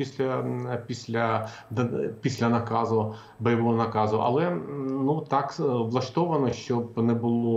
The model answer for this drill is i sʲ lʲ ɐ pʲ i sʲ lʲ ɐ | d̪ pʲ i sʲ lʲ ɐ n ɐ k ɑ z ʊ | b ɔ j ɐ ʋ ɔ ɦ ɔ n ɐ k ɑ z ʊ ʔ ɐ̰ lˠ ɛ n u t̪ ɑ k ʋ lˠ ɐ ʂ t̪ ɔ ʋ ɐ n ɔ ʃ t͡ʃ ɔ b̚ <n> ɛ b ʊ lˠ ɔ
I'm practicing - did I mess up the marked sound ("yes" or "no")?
no